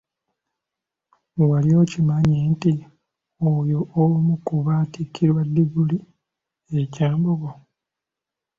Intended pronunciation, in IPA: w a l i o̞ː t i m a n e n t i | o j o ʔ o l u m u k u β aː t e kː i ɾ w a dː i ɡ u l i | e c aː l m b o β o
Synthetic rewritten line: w a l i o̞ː c i m a ɲ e n t i | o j o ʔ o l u m u k u β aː t i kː i ɾ w a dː i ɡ u l i | e c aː m b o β o